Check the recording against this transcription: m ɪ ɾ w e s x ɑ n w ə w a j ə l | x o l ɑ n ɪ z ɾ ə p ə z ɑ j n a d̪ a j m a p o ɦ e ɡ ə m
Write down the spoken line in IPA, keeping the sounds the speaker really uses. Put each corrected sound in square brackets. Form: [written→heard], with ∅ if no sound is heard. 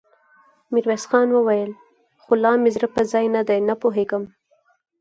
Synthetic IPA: m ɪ ɾ w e s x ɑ n w ə w a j ə l | x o l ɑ [n→m] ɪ z ɾ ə p ə z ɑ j n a d̪ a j [m→n] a p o ɦ e ɡ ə m

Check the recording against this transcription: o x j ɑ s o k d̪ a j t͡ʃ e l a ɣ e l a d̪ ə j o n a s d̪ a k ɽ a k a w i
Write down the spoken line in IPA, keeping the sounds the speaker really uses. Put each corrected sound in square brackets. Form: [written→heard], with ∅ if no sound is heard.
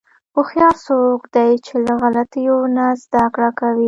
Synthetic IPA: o x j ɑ s o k d̪ a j t͡ʃ e l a ɣ [e→a] l a [d̪→t̪] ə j o n a [s→z] d̪ a k ɽ a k a w i

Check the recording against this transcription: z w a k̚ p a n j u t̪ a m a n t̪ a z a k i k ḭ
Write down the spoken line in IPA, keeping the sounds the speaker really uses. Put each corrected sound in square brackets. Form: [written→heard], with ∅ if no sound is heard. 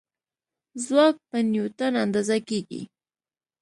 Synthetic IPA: z w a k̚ p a n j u t̪ a [m→n] a n [t̪→d̪] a z a k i k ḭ

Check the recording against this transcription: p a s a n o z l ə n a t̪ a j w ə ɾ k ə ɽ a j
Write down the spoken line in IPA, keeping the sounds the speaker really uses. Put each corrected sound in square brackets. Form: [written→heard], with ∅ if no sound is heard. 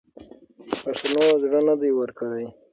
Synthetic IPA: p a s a n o z [l→ɽ] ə n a [t̪→d̪] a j w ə ɾ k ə ɽ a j

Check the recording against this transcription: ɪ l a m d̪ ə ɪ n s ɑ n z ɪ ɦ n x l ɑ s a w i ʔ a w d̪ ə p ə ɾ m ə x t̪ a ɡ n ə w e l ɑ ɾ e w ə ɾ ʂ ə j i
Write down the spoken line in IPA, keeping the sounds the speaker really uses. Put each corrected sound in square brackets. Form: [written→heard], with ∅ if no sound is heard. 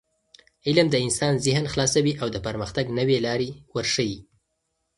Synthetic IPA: ɪ l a m d̪ ə ɪ n s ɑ n z ɪ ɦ n x l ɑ s a w i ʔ a w d̪ ə p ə ɾ m ə x t̪ a ɡ n ə w e l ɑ ɾ e w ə ɾ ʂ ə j i

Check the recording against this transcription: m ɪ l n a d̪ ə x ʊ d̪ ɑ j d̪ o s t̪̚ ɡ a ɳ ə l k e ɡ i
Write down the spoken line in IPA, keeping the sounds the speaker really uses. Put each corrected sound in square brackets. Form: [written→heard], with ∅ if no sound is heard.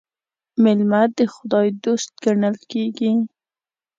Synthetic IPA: m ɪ l [n→m] a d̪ ə x ʊ d̪ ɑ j d̪ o s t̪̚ ɡ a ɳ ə l k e ɡ i

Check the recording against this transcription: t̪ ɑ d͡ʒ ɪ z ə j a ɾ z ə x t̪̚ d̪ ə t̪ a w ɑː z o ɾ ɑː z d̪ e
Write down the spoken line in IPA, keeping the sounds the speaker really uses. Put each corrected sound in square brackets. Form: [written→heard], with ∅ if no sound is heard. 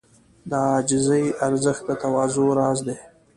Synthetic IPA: [t̪→d̪] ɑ d͡ʒ ɪ z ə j a ɾ z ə x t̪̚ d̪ ə t̪ a w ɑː z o ɾ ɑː z d̪ e

